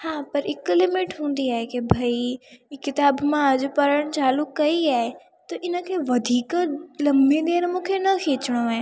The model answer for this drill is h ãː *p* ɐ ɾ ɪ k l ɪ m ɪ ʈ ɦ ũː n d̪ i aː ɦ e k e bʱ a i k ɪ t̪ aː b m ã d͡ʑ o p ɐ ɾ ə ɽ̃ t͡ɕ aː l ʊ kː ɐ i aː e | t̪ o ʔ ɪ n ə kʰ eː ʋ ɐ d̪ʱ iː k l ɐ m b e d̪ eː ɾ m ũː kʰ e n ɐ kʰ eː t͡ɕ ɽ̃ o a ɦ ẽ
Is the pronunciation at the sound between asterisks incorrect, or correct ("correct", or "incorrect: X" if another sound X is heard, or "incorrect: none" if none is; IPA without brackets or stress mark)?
correct